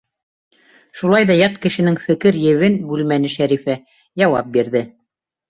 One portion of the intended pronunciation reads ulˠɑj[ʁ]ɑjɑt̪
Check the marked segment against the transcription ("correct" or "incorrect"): incorrect